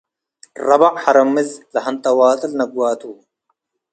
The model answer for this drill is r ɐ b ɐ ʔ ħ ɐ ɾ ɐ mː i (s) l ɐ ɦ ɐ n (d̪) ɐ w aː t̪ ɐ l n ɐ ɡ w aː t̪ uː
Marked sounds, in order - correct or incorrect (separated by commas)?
incorrect, incorrect